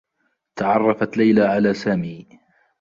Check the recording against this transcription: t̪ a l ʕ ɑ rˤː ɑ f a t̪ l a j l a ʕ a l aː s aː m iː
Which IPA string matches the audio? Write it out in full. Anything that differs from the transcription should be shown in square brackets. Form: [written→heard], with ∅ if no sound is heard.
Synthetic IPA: t̪ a [l→∅] ʕ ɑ rˤː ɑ f a t̪ l a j l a ʕ a l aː s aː m iː